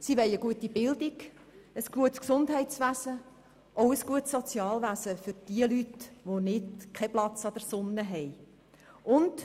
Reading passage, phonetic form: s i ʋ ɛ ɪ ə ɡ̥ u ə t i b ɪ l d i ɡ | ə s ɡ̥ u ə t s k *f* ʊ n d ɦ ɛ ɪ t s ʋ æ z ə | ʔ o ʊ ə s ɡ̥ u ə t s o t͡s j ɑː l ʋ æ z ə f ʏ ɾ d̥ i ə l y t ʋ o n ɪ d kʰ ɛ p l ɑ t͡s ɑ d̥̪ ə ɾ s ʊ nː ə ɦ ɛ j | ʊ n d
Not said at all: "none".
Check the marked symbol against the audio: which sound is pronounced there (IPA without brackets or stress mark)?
s